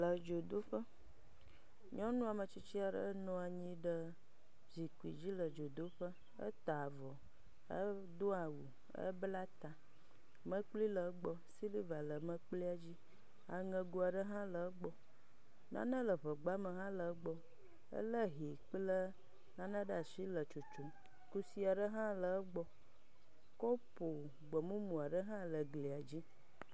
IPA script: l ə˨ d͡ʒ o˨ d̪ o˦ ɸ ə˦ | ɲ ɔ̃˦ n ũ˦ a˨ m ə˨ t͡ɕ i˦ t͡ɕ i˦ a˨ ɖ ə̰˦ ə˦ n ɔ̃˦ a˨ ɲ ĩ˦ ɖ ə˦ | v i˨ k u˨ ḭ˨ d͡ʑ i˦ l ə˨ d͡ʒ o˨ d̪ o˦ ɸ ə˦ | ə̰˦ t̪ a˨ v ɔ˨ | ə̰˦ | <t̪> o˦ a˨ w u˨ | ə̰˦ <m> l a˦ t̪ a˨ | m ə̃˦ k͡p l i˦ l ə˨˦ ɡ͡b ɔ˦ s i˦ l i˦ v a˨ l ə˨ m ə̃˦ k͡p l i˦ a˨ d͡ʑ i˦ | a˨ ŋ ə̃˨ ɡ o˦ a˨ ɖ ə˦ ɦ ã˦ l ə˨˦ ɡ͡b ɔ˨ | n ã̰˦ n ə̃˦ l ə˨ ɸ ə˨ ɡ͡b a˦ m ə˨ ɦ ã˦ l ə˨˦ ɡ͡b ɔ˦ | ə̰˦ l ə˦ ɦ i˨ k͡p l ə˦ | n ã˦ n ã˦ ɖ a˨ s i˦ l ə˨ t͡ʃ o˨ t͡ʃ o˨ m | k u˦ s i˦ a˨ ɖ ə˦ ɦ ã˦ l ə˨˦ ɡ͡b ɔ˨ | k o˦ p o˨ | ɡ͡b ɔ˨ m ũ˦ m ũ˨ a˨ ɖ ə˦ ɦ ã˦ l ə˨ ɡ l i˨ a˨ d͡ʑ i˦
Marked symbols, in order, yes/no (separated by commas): no, no